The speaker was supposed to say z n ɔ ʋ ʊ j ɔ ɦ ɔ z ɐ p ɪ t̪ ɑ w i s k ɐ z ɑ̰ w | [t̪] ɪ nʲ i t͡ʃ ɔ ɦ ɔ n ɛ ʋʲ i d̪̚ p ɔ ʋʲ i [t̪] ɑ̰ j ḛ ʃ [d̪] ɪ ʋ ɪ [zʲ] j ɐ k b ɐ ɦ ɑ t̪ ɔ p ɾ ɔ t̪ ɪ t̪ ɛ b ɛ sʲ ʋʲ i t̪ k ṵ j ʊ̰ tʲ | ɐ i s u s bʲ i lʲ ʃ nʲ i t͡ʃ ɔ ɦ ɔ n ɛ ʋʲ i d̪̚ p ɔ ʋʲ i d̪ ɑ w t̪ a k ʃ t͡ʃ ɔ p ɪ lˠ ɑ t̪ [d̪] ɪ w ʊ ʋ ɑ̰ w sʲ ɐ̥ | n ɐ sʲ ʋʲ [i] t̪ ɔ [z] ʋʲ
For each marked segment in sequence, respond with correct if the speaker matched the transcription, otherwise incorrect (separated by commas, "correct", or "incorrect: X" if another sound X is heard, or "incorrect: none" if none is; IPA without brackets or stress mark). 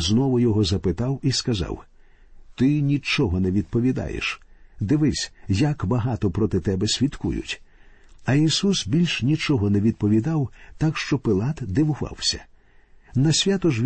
correct, incorrect: d̪, correct, incorrect: sʲ, correct, incorrect: a, incorrect: ʒ